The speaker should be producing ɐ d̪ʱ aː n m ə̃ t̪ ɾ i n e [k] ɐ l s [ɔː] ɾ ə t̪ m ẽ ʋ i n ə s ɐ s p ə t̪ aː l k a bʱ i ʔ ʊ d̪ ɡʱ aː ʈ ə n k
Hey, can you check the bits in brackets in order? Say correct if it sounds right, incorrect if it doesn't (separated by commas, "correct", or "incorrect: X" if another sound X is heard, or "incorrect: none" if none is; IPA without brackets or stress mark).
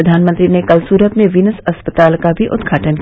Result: correct, incorrect: uː